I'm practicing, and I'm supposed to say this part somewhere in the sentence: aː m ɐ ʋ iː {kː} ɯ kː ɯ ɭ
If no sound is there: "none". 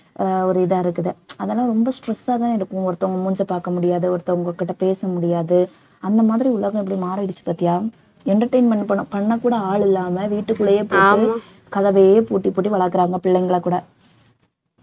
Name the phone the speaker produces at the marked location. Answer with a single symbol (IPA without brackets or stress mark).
ʈː